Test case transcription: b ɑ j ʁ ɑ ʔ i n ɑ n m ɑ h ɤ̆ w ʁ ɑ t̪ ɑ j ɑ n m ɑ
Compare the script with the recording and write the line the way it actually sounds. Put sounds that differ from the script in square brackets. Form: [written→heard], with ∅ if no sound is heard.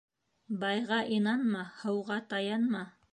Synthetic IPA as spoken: b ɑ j ʁ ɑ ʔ i n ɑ n m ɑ h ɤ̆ w ʁ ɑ t̪ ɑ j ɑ n m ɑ